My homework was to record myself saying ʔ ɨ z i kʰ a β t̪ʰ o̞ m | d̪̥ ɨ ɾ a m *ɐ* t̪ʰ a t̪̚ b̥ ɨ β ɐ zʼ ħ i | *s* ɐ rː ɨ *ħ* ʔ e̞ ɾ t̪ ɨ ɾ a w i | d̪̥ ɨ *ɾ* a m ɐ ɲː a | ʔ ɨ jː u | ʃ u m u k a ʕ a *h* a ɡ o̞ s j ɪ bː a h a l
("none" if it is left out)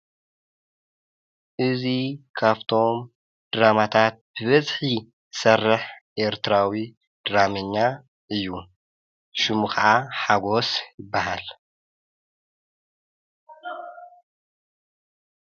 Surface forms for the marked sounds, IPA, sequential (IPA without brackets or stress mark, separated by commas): a, s, ħ, ɾ, ħ